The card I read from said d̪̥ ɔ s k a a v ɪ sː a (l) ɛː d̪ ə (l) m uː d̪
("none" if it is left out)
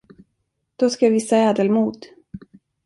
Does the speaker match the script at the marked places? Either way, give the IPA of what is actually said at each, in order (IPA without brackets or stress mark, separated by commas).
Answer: none, l